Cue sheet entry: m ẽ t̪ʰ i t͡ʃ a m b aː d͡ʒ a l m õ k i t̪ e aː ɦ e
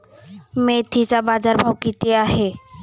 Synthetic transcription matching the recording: m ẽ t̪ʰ i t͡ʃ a b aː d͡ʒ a ɾ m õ k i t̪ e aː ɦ e